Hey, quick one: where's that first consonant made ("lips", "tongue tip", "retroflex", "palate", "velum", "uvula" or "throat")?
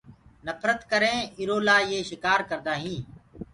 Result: tongue tip